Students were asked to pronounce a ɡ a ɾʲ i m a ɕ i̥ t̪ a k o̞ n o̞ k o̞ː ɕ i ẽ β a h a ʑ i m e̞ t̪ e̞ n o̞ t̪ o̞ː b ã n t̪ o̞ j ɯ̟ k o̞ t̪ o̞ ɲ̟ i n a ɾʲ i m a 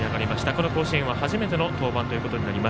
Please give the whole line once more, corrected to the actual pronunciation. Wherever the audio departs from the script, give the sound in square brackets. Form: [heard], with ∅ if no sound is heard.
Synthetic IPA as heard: a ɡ a ɾʲ i m a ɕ i̥ t̪ a k o̞ n o̞ k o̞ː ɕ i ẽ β a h a ʑ i m e̞ t̪ e̞ n o̞ t̪ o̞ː b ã n t̪ o̞ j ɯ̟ k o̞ t̪ o̞ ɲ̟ i n a ɾʲ i m a